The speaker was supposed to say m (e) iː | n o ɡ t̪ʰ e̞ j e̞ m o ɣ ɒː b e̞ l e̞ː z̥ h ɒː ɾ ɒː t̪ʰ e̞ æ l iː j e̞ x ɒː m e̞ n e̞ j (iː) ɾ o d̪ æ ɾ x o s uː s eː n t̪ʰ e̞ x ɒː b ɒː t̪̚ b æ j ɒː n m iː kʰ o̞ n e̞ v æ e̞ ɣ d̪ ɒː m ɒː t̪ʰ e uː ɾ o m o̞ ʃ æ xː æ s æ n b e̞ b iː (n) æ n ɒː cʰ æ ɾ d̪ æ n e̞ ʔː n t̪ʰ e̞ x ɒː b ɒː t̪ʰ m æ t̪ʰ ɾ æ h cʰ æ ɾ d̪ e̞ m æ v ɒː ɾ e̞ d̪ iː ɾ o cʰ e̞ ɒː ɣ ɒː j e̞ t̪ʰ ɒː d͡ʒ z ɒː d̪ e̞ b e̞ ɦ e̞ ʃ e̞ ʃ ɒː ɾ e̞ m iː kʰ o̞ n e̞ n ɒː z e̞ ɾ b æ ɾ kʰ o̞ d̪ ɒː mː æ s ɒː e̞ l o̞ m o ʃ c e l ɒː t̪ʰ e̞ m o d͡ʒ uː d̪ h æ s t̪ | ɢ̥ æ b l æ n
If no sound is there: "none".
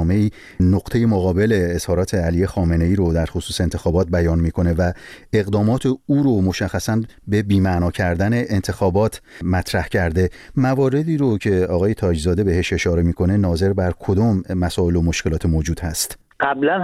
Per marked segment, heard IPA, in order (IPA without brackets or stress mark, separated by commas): e, iː, m